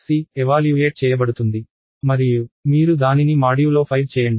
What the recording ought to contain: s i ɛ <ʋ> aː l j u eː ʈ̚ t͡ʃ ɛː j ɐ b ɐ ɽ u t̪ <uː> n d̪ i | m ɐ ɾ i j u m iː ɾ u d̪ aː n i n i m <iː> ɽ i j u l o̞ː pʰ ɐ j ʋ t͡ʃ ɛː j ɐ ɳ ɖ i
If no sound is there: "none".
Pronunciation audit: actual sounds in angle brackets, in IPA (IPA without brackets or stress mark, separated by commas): ʋ, u, aː